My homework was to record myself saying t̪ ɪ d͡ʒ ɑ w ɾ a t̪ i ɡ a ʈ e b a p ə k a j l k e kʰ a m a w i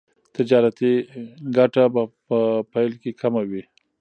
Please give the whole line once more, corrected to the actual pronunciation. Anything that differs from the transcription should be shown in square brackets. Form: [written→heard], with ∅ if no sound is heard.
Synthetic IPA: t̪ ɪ d͡ʒ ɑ [w→∅] ɾ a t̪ i ɡ a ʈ [e→a] b a p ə [k→p] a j l k e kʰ a m a w i